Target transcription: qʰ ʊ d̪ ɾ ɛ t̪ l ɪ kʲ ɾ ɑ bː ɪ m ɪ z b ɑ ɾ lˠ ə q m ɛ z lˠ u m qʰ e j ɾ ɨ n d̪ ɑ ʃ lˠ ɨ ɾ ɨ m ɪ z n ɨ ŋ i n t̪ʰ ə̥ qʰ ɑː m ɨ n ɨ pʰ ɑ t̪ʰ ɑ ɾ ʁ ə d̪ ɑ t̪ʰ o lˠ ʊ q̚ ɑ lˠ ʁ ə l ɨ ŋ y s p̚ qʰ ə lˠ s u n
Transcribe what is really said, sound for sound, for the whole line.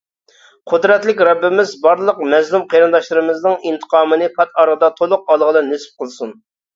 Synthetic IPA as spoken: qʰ ʊ d̪ ɾ ɛ t̪ l ɪ kʲ ɾ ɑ bː ɪ m ɪ z b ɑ ɾ lˠ ə q m ɛ z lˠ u m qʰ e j ɾ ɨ n d̪ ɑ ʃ lˠ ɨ ɾ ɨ m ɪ z n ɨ ŋ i n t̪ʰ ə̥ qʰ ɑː m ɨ n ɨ pʰ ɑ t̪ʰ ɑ ɾ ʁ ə d̪ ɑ t̪ʰ o lˠ ʊ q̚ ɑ lˠ ʁ ə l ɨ n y s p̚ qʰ ə lˠ s u n

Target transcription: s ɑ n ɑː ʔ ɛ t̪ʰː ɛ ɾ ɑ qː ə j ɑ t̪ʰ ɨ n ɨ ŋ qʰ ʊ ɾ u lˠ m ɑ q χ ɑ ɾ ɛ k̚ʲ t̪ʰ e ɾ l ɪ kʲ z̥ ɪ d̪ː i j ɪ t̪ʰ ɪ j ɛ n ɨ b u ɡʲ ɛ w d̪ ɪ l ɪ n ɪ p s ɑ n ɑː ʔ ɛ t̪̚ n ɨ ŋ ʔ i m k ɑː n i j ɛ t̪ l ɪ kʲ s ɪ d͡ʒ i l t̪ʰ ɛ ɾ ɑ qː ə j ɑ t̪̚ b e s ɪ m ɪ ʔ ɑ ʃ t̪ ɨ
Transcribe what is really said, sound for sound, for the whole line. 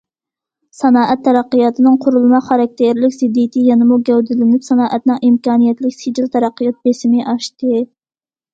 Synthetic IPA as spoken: s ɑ n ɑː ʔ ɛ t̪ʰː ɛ ɾ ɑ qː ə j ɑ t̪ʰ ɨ n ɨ ŋ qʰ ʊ ɾ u lˠ m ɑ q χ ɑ ɾ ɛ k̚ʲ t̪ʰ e ɾ l ɪ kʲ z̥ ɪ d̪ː i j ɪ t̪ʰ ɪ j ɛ n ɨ m u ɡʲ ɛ w d̪ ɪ l ɪ n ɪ p s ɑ n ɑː ʔ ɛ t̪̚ n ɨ ŋ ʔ i m k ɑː n i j ɛ t̪ l ɪ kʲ s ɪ d͡ʒ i l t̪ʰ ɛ ɾ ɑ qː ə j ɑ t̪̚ b e s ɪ m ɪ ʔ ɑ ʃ t̪ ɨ

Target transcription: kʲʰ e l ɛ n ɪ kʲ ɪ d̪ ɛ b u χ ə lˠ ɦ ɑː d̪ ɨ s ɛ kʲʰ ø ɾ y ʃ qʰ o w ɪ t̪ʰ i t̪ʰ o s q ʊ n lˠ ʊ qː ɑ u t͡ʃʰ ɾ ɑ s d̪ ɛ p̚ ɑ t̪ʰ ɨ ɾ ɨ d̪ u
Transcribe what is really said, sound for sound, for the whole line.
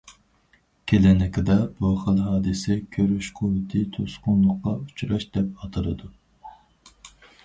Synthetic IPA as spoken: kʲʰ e l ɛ n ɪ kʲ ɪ d̪ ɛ b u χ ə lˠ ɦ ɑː d̪ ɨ s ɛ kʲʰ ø ɾ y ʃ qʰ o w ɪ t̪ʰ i t̪ʰ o s q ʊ n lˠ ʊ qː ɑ u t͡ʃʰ ɾ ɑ ʃ d̪ ɛ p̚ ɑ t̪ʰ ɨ ɾ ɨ d̪ u

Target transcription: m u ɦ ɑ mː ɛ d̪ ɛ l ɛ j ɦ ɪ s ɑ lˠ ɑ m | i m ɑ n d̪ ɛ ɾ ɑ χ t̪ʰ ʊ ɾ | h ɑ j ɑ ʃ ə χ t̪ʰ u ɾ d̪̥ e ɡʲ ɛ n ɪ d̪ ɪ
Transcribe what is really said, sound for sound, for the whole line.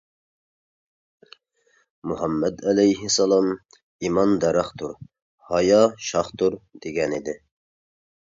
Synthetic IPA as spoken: m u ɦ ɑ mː ɛ d̪ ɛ l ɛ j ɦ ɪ s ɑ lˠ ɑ m | i m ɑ n d̪ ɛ ɾ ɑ χ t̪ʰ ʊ ɾ | h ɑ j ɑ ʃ ɑ χ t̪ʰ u ɾ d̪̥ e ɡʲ ɛ n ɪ d̪ ɪ

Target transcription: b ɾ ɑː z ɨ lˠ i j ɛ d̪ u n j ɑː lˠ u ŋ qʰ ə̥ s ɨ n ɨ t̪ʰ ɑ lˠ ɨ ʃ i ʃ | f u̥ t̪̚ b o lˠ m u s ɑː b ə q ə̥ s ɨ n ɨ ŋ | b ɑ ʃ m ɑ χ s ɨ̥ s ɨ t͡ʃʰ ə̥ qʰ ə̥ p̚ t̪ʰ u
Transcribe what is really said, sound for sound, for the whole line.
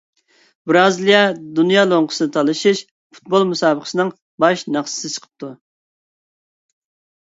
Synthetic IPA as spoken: b ɾ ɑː z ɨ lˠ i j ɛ d̪ u n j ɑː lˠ o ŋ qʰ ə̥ s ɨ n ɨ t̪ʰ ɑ lˠ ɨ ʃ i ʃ | f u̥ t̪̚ b o lˠ m u s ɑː b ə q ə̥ s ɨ n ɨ ŋ | b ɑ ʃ n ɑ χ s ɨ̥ s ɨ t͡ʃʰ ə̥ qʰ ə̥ p̚ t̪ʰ u

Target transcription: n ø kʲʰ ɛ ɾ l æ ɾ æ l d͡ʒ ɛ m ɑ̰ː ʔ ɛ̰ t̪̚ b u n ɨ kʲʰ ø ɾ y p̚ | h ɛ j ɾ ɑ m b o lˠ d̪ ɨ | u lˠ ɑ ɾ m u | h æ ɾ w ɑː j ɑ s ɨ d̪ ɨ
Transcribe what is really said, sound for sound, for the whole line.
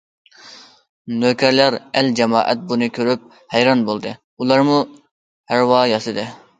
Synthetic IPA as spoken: n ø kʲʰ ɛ ɾ l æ ɾ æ l d͡ʒ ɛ m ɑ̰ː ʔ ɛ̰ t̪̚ b u n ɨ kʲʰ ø ɾ y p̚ | h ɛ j ɾ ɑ n b o lˠ d̪ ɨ | u lˠ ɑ ɾ m u | h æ ɾ w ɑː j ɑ s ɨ d̪ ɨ

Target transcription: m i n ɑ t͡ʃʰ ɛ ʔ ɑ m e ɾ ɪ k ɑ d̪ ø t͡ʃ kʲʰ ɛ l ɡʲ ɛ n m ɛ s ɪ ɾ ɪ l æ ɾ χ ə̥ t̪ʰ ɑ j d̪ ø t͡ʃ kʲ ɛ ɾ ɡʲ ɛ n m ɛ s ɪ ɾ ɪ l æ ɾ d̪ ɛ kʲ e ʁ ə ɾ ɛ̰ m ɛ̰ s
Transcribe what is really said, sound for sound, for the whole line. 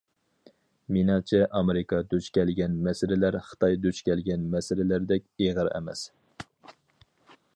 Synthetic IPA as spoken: m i n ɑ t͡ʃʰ ɛ ʔ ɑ m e ɾ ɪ k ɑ d̪ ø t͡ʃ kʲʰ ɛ l ɡʲ ɛ n m ɛ s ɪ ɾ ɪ l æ ɾ χ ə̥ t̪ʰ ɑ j d̪ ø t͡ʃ kʲ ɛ l ɡʲ ɛ n m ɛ s ɪ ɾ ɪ l æ ɾ d̪ ɛ kʲ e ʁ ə ɾ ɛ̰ m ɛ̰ s

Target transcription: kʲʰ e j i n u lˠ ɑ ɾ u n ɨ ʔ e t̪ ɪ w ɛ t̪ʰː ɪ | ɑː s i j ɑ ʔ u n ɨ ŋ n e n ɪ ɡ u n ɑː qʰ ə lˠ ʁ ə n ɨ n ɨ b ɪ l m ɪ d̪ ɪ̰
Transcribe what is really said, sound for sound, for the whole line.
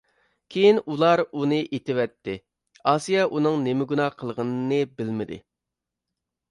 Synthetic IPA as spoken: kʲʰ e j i n u lˠ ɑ ɾ u n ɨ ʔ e t̪ ɪ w ɛ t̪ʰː ɪ | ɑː s i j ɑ ʔ u n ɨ ŋ n e m ɪ ɡ u n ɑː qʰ ə lˠ ʁ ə n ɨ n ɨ b ɪ l m ɪ d̪ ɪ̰

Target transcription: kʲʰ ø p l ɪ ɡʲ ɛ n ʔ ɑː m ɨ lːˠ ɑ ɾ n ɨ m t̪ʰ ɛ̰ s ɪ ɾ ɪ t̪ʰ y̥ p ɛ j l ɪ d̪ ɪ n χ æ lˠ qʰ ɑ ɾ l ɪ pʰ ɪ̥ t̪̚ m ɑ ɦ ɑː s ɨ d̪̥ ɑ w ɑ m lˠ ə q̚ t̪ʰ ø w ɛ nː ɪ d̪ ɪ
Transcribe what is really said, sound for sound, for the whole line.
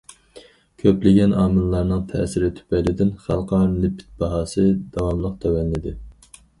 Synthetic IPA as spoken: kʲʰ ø p l ɪ ɡʲ ɛ n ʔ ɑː m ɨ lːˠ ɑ ɾ n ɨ ŋ t̪ʰ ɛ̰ s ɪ ɾ ɪ t̪ʰ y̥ p ɛ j l ɪ d̪ ɪ n χ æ lˠ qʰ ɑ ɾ l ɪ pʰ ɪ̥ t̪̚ b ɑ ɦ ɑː s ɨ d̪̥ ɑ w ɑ m lˠ ə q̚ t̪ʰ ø w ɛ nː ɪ d̪ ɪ

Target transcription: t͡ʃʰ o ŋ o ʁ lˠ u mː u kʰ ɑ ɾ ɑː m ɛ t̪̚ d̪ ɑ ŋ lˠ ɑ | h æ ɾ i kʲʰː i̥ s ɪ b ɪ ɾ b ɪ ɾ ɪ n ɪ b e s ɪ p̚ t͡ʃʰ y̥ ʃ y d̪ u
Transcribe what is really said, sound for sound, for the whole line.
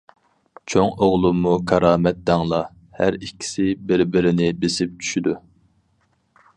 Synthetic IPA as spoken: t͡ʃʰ o ŋ o ʁ lˠ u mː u kʰ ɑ ɾ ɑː m ɛ t̪̚ d̪ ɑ ŋ lˠ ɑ | h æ ɾ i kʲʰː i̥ s ɪ b ɪ ɾ b ɪ ɾ ɪ n ɪ b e s ɪ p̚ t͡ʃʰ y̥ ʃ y d̪ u

